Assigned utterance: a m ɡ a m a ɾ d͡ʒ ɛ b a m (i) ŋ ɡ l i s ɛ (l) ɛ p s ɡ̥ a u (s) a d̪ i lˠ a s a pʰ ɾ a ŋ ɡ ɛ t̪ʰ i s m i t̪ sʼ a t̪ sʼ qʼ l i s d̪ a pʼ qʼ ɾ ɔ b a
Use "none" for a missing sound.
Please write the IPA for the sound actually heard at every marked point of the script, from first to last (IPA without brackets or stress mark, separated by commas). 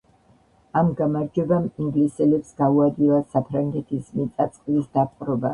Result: i, l, none